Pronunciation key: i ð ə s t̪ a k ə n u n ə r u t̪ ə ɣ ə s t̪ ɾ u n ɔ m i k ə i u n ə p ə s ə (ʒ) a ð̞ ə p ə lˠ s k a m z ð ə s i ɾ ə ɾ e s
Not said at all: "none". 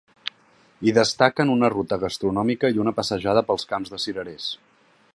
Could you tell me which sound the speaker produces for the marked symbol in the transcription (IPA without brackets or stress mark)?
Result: ʒ